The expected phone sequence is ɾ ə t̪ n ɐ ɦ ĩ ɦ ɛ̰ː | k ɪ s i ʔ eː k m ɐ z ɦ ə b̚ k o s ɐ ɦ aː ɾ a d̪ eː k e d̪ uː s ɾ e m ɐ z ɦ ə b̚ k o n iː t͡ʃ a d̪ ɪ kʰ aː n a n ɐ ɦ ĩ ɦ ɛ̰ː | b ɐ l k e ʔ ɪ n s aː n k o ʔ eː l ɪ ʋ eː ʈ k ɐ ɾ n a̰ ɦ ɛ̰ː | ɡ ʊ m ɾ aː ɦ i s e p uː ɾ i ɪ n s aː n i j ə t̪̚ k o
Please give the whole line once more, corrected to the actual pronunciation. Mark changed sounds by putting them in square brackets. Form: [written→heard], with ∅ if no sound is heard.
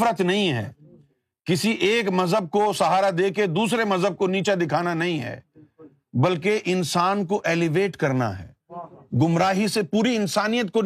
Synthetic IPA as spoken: ɾ ə t̪ n ɐ ɦ ĩ ɦ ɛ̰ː | k ɪ s i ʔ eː k m ɐ z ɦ ə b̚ k o s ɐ ɦ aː ɾ a d̪ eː k e d̪ uː s ɾ e m ɐ z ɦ ə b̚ k o n iː t͡ʃ a d̪ ɪ kʰ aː n a n ɐ ɦ ĩ ɦ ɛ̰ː | b ɐ l k e ʔ ɪ n s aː n k o ʔ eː l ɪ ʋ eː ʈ k ɐ ɾ n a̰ ɦ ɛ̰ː | ɡ ʊ m ɾ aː ɦ i s e p uː ɾ i ɪ n s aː n i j ə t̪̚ k o